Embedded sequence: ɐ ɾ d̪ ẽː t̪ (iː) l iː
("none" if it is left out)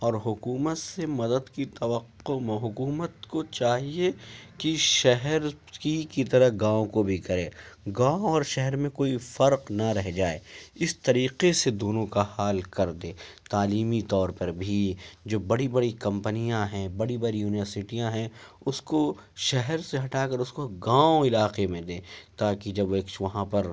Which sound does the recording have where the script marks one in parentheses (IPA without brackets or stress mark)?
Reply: aː